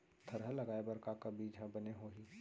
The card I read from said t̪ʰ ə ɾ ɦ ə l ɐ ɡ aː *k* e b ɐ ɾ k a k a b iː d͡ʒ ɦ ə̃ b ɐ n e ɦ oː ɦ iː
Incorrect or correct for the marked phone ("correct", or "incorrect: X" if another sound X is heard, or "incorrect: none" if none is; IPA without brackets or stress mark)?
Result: incorrect: none